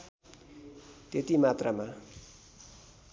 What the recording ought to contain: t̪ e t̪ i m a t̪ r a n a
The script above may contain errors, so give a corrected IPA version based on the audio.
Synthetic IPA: t̪ e t̪ i m a t̪ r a m a